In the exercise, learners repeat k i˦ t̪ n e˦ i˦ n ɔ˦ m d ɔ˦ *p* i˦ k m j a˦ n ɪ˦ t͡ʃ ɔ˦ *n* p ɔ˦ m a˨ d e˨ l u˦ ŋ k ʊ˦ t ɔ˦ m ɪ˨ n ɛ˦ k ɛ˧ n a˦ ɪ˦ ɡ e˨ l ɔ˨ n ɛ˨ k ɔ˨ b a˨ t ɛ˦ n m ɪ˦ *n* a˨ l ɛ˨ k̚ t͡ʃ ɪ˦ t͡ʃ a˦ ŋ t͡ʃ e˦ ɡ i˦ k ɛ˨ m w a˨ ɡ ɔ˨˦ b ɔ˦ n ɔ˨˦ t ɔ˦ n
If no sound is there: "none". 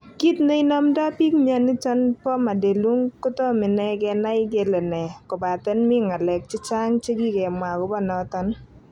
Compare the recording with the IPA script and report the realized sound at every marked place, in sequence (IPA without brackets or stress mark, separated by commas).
p, n, ŋ